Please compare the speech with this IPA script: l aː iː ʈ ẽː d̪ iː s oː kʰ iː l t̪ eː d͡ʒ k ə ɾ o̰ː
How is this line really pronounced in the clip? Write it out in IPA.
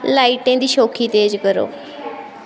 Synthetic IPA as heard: l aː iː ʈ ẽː d̪ iː ʃ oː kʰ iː t̪ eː d͡ʒ k ə ɾ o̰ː